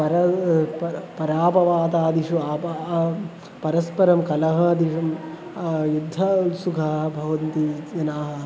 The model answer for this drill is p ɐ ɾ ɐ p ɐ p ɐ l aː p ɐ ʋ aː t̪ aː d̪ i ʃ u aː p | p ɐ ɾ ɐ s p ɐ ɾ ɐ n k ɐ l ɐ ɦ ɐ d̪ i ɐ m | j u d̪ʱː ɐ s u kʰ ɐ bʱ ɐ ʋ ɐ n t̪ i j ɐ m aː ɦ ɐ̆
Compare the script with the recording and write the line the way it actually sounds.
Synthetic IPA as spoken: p ɐ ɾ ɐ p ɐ p ɐ ɾ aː p ɐ ʋ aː t̪ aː d̪ i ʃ u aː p | p ɐ ɾ ɐ s p ɐ ɾ ɐ m k ɐ l ɐ ɦ ɐ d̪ i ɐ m | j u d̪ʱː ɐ s u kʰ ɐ bʱ ɐ ʋ ɐ n t̪ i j ɐ n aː ɦ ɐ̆